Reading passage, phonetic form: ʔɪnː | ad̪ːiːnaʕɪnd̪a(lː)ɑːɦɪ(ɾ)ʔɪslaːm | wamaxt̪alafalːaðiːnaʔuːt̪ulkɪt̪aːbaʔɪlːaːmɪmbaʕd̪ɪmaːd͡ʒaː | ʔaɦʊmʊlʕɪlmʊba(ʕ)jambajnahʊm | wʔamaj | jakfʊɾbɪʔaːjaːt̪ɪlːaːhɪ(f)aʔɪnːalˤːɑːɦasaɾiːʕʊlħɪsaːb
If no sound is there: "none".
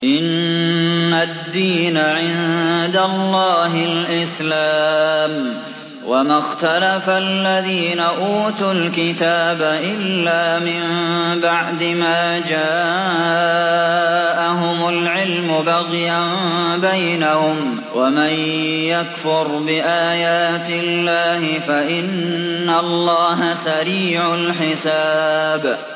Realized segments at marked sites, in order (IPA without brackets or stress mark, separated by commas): lː, l, ɣ, f